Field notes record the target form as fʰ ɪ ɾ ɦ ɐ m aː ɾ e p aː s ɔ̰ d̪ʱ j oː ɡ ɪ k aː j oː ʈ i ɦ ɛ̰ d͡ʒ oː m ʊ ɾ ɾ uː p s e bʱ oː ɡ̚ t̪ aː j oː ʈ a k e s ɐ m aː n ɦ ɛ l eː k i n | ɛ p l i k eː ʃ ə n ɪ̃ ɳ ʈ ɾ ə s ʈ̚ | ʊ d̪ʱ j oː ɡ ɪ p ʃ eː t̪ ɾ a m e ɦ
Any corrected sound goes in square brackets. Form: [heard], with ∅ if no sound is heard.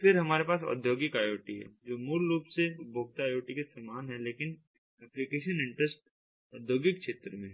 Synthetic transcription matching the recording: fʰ ɪ ɾ ɦ ɐ m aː ɾ e p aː s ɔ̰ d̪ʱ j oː ɡ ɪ k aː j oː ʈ i ɦ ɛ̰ d͡ʒ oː m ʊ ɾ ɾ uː p s e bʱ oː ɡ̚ t̪ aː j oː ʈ [i] k e s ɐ m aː n ɦ ɛ l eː k [ɪ] n | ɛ p l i k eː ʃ ə n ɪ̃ ɳ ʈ ɾ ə s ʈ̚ | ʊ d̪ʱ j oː ɡ ɪ [k] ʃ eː t̪ ɾ [ə] m [ẽ] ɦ